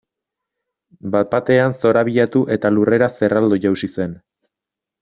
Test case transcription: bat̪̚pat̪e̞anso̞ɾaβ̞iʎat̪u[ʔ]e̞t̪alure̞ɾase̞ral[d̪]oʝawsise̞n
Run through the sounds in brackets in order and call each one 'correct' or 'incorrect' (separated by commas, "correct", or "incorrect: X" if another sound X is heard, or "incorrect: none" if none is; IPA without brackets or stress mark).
correct, correct